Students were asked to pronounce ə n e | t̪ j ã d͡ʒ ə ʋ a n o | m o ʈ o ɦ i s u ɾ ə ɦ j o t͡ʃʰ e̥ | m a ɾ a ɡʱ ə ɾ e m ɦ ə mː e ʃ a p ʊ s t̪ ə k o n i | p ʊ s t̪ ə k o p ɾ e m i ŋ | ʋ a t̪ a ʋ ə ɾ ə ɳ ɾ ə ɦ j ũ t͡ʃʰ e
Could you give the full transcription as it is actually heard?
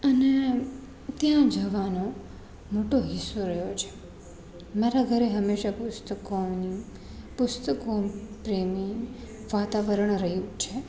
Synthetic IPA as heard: ə n e | t̪ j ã d͡ʒ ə ʋ a n o | m o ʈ o ɦ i s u ɾ ə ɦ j o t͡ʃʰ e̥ | m a ɾ a ɡʱ ə ɾ e ɦ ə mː e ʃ a p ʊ s t̪ ə k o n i | p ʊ s t̪ ə k o p ɾ e m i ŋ | ʋ a t̪ a ʋ ə ɾ ə ɳ ɾ ə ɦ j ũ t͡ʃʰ e